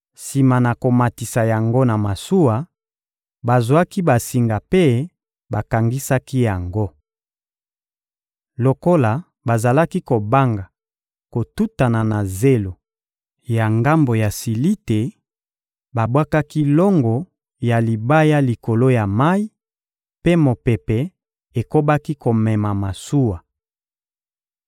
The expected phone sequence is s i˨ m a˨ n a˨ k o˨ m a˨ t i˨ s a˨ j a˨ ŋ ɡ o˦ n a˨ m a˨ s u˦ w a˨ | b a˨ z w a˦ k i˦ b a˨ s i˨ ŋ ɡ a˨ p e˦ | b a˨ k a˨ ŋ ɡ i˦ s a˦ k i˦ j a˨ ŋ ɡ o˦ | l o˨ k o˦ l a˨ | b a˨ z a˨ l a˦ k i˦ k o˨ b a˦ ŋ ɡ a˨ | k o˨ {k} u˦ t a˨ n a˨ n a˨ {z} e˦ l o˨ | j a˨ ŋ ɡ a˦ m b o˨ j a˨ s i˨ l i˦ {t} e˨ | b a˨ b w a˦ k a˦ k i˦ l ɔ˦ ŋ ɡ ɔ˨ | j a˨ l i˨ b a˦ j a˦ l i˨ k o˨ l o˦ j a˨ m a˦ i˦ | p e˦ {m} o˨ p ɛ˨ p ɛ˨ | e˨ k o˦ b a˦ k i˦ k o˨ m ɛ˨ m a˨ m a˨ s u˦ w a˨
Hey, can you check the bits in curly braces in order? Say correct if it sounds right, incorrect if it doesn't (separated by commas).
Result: incorrect, correct, correct, correct